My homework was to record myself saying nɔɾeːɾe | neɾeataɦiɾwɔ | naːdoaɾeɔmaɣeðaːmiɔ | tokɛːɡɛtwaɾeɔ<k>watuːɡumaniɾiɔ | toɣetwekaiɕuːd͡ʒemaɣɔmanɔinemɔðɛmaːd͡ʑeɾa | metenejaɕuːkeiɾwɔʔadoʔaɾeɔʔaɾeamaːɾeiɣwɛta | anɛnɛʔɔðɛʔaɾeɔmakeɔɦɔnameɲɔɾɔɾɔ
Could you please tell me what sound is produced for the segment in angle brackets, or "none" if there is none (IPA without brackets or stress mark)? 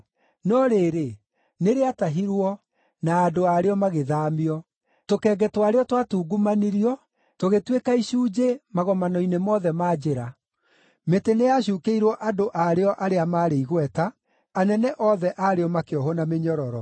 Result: t